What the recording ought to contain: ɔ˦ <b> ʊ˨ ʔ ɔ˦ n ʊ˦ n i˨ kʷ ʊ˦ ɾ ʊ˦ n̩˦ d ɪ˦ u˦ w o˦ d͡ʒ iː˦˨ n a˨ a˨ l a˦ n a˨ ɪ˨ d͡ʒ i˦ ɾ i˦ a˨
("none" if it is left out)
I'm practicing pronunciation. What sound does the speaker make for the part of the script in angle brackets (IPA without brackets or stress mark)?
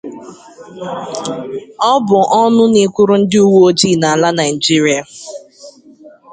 b